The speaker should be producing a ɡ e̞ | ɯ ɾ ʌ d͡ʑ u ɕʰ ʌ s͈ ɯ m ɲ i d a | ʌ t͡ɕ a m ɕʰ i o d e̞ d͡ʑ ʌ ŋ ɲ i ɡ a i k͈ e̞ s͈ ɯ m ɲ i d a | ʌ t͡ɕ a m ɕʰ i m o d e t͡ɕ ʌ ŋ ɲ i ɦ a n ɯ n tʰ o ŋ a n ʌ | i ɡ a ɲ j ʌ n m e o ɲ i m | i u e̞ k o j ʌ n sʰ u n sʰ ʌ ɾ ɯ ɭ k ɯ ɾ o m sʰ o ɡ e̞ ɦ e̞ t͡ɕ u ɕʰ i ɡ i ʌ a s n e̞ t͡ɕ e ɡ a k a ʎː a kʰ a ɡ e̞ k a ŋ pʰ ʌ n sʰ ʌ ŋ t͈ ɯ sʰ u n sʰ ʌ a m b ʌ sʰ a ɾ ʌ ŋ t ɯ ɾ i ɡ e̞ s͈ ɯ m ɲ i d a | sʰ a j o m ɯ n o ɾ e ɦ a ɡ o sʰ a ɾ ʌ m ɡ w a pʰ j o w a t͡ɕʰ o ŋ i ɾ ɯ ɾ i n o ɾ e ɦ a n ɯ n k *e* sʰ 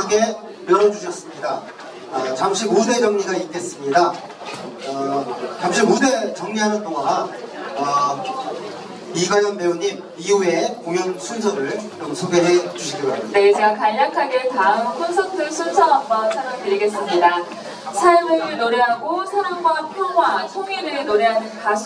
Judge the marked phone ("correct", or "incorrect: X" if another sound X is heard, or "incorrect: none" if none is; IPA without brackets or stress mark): incorrect: a